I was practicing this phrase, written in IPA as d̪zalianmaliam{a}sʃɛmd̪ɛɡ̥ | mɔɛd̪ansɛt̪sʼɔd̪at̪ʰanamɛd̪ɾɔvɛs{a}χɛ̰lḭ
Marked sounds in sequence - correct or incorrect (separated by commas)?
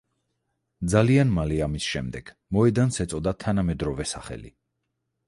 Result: incorrect, correct